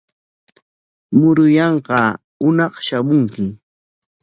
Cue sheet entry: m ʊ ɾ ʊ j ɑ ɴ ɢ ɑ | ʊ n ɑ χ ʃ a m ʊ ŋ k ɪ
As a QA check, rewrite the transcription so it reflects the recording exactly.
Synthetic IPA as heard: m ʊ ɾ ʊ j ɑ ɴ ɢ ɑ | ʊ n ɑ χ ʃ a m ʊ ŋ k ɪ